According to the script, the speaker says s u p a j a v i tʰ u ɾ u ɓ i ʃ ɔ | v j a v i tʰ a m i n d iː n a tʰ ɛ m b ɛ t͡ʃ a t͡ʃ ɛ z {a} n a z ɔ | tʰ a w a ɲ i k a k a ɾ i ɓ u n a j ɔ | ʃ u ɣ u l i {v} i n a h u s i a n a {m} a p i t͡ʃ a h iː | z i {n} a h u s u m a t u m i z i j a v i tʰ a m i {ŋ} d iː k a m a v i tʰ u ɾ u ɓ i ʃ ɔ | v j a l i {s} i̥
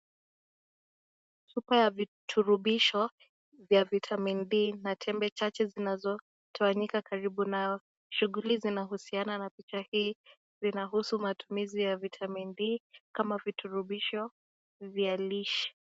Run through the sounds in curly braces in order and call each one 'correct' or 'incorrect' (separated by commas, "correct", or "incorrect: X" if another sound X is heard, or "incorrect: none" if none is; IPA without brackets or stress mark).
incorrect: i, incorrect: z, incorrect: n, correct, incorrect: n, incorrect: ʃ